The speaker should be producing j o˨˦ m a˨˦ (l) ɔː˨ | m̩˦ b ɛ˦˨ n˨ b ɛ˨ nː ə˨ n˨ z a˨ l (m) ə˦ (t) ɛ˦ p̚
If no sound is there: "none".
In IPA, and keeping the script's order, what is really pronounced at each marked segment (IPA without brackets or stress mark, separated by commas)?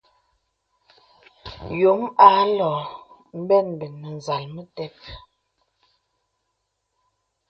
l, m, t